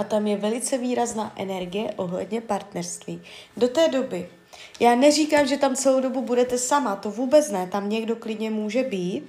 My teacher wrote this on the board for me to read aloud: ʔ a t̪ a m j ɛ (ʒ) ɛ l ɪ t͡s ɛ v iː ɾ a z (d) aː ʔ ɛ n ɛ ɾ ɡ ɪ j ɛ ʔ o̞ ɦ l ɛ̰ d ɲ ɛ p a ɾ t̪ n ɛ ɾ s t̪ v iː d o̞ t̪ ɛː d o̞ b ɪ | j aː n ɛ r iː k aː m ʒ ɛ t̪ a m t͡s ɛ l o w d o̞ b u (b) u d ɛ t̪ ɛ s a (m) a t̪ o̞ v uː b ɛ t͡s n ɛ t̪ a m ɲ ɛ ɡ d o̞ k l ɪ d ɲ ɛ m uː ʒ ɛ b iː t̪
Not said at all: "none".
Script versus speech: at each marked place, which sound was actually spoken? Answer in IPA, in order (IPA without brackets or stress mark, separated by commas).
v, n, b, m